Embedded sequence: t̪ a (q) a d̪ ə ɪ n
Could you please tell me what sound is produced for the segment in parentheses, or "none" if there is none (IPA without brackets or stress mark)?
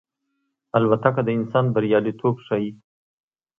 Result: k